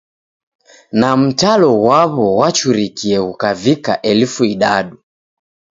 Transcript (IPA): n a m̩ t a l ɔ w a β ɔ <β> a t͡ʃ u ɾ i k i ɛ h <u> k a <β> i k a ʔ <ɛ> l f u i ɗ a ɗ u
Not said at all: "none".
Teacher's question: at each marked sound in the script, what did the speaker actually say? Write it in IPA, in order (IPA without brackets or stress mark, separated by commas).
w, u, v, ɛ